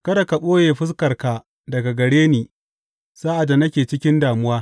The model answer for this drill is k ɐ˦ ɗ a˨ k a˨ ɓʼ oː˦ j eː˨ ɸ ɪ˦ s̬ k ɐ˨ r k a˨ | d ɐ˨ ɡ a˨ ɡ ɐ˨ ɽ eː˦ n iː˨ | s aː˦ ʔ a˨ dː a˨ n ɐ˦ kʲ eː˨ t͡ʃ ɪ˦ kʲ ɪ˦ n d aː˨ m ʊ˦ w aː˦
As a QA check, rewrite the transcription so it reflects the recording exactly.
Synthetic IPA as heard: k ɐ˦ d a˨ k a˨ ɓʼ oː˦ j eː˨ ɸ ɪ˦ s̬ k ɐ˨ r k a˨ | d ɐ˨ ɡ a˨ ɡ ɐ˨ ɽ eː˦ n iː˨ | s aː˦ ʔ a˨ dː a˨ n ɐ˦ kʲ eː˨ t͡ʃ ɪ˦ kʲ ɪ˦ n d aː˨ m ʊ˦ w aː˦